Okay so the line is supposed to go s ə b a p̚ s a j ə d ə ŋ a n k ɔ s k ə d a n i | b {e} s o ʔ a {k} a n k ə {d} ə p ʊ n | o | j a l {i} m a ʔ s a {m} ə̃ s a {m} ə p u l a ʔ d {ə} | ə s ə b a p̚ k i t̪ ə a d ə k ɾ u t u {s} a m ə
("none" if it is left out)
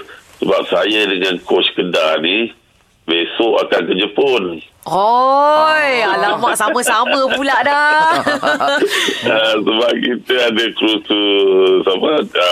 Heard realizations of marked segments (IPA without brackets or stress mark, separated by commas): e, k, d͡ʒ, a, m, m, a, s